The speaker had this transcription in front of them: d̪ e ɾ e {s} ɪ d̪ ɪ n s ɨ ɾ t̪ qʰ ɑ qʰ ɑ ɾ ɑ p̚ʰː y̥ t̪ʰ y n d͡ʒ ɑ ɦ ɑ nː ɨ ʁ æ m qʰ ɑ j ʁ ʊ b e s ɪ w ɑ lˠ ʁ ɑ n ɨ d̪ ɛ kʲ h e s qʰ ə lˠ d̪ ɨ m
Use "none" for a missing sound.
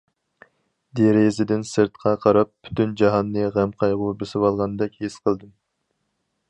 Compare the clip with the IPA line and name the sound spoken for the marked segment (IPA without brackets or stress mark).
z